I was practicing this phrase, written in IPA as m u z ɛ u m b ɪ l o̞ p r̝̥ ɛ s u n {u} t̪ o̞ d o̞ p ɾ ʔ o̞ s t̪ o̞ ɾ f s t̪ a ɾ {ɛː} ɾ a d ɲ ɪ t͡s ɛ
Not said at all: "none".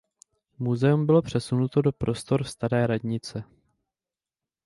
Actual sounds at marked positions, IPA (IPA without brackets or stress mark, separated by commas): u, ɛː